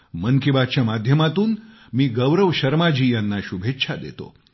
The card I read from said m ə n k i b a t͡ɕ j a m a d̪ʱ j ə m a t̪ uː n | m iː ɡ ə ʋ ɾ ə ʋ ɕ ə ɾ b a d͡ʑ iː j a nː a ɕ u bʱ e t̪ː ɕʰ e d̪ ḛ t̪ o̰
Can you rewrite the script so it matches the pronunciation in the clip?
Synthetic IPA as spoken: m ə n k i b a t͡ɕ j a m a d̪ʱ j ə m a t̪ uː n | m iː ɡ ə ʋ ɾ ə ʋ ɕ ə ɾ m a d͡ʑ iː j a nː a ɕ u bʱ e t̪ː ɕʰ a d̪ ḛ t̪ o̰